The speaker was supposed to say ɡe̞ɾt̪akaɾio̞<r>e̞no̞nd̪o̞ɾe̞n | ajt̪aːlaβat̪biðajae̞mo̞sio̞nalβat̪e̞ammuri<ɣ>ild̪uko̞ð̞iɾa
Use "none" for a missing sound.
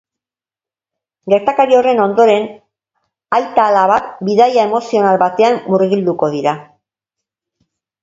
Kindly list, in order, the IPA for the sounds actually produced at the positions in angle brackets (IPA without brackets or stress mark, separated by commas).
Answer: r, ɣ